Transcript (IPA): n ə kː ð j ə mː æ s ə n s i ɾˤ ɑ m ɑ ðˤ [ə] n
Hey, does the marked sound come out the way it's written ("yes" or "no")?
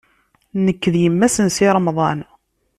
no